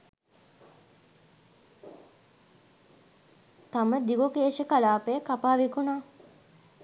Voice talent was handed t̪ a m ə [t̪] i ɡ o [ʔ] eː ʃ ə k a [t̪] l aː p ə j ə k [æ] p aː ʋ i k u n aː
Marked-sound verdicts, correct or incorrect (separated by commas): incorrect, incorrect, incorrect, incorrect